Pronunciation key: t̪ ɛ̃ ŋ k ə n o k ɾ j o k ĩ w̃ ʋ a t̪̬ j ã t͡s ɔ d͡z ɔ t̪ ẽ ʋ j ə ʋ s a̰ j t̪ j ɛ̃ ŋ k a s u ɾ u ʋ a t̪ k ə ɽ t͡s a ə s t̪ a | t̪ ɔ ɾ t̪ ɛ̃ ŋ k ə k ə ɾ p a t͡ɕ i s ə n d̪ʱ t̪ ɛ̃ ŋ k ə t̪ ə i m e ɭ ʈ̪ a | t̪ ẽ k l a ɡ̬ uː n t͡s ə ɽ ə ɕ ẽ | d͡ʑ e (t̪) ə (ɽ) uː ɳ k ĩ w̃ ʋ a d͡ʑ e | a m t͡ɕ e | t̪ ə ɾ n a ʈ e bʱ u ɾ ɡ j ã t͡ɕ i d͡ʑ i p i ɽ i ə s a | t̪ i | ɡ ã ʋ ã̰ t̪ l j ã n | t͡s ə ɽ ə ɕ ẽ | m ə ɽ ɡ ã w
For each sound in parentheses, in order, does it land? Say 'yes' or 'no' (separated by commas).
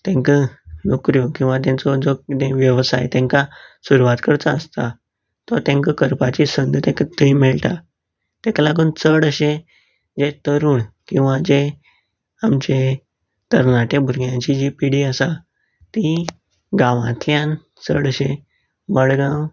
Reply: yes, no